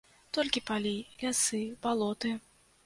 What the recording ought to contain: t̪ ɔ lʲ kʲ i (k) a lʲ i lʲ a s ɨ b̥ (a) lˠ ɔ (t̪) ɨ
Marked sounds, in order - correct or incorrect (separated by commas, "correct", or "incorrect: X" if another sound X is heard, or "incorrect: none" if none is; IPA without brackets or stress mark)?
incorrect: p, correct, correct